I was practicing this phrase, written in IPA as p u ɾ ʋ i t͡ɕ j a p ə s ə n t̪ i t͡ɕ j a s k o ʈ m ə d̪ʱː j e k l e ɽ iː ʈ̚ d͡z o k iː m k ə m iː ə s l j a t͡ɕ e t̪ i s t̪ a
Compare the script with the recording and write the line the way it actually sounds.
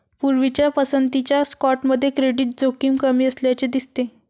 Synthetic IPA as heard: p u ɾ ʋ i t͡ɕ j a p ə s ə n t̪ i t͡ɕ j a s k ɔ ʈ m ə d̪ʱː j e k ɾ e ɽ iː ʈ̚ d͡z o k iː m k ə m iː ə s l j a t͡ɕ e d̪ i s t̪ e